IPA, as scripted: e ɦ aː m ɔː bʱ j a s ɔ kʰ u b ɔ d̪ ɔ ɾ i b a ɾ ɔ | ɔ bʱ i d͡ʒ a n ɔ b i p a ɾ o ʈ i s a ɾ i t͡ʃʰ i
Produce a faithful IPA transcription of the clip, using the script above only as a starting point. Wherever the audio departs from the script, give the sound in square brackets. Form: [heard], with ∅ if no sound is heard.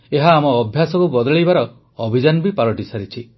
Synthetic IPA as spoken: e ɦ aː m ɔː bʱ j a s ɔ [k] u b ɔ d̪ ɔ [ɭ] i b a ɾ ɔ | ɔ bʱ i d͡ʒ a n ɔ b i p a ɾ [ɔ] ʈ i s a ɾ i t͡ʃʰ i